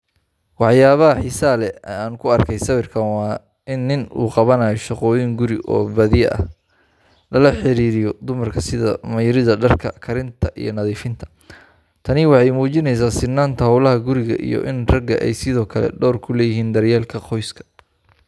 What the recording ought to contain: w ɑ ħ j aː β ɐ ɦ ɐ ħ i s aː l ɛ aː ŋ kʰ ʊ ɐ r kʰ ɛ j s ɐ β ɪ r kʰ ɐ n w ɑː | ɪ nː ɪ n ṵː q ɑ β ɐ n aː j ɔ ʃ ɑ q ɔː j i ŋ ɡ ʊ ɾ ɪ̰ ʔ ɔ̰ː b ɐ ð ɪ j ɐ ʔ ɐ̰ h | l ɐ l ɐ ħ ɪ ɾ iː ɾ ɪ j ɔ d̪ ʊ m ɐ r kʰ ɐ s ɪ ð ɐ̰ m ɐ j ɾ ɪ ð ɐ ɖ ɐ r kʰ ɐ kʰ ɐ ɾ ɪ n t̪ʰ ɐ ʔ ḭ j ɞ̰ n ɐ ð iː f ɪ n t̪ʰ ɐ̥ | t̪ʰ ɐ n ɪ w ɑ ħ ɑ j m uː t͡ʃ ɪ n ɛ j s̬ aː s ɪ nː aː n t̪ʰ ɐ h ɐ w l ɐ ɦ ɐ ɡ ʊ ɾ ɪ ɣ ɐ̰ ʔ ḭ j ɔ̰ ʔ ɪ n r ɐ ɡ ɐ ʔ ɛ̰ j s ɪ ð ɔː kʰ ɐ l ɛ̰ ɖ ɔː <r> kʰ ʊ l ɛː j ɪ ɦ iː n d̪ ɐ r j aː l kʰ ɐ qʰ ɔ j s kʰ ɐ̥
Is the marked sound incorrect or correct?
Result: correct